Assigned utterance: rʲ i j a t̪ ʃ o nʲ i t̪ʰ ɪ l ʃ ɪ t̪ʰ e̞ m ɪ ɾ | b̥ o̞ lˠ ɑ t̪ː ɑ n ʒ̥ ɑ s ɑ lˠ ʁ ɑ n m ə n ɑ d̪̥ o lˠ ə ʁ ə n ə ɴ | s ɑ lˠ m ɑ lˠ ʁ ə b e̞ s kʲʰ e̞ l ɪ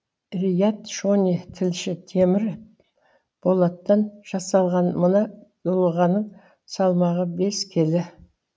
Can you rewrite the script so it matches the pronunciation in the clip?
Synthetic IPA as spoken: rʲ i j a t̪ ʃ o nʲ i t̪ʰ ɪ l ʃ ɪ t̪ʰ e̞ m ɪ ɾ | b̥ o̞ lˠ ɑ t̪ː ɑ n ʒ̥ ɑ s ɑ lˠ ʁ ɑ n m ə n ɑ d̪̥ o lˠ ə ʁ ɑ n ə ɴ | s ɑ lˠ m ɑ ʁ ə b e̞ s kʲʰ e̞ l ɪ